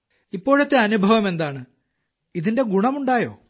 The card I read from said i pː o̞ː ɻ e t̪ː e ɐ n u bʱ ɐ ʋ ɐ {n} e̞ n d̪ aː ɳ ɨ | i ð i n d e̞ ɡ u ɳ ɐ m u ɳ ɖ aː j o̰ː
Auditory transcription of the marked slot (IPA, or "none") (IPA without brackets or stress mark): m